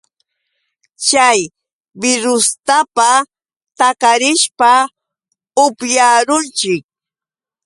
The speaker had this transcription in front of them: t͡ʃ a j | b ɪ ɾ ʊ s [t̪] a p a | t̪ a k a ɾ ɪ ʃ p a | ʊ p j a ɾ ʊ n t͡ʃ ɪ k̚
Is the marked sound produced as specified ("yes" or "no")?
yes